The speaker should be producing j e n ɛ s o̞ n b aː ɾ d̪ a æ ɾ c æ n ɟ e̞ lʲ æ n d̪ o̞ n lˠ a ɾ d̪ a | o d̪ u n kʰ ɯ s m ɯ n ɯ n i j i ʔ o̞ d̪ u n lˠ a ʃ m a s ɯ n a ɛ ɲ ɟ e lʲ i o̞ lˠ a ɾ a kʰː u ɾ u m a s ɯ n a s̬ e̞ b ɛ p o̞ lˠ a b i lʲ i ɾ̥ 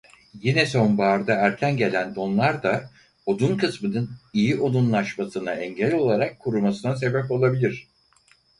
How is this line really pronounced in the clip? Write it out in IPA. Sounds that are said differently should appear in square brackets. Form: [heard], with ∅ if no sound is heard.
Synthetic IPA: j [i] n ɛ s o̞ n b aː ɾ d̪ a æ ɾ [cʰ] æ n ɟ e̞ lʲ æ n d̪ o̞ n lˠ a ɾ d̪ a | o d̪ u n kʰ ɯ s m ɯ n ɯ n i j i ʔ o̞ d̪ u n lˠ a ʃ m a s ɯ n a ɛ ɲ ɟ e lʲ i o̞ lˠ a ɾ a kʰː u ɾ u m a s ɯ n a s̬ e̞ b ɛ p o̞ lˠ a b i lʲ i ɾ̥